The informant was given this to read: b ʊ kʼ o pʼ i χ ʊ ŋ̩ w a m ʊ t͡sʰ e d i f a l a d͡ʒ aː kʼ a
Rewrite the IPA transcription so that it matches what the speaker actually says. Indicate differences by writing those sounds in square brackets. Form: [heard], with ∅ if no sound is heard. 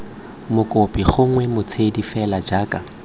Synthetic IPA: [m] ʊ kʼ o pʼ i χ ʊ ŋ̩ w [ɛ] m ʊ t͡sʰ e d i f [ɛ] l a d͡ʒ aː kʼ a